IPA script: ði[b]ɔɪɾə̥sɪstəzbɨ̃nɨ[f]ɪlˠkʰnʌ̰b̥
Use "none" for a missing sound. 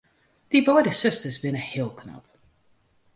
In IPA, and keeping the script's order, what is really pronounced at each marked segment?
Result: b, h

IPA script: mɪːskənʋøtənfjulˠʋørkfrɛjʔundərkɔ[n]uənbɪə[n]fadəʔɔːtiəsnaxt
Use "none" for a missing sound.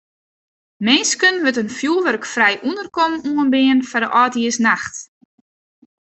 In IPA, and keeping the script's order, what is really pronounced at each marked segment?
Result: m, n

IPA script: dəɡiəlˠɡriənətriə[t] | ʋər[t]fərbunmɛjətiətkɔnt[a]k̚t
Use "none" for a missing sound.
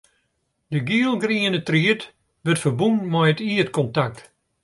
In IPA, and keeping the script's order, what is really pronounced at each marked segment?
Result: t, t, a

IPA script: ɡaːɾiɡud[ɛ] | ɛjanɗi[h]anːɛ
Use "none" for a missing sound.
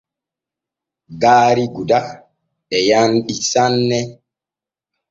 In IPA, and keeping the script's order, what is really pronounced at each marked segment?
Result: a, s

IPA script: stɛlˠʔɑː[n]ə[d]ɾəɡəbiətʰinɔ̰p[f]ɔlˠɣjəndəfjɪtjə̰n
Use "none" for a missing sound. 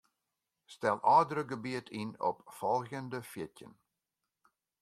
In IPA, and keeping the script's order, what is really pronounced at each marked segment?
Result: d, none, f

